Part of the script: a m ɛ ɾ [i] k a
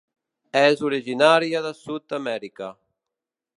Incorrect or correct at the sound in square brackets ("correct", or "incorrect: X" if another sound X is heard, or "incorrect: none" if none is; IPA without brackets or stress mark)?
correct